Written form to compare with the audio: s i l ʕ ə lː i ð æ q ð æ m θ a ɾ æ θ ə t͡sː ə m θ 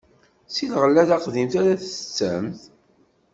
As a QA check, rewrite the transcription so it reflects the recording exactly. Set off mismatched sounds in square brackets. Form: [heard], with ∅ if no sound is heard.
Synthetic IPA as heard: s i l [ʁ] ə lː [æ] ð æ q ð [i] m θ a ɾ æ θ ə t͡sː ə m θ